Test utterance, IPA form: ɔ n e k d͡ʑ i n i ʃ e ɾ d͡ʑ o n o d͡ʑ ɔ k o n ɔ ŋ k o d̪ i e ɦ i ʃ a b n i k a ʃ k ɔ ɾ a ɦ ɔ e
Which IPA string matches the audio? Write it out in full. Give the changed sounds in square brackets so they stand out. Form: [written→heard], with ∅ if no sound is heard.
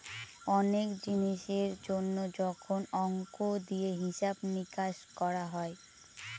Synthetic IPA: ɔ n e k d͡ʑ i n i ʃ e ɾ d͡ʑ o [n→nː] o d͡ʑ ɔ [k→kʰ] o n ɔ ŋ k o d̪ i e ɦ i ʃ a b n i k a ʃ k ɔ ɾ a ɦ ɔ e